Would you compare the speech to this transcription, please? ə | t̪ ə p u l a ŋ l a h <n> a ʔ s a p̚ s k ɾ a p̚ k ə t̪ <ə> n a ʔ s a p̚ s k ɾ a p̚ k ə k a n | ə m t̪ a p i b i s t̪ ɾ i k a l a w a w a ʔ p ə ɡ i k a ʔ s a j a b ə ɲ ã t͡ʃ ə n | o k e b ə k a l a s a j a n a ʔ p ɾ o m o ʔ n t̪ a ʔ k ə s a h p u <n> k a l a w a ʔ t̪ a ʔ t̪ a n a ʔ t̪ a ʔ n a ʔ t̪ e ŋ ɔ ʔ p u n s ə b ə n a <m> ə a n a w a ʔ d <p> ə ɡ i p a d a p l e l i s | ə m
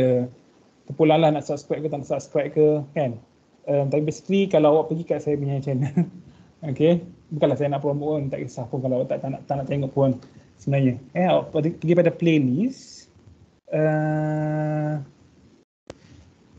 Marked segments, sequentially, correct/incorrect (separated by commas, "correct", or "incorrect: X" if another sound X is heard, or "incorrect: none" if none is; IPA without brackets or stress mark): correct, incorrect: a, correct, incorrect: ɲ, correct